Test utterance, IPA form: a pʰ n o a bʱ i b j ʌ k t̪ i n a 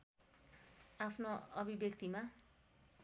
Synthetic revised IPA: a pʰ n o ʌ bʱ i b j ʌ k t̪ i m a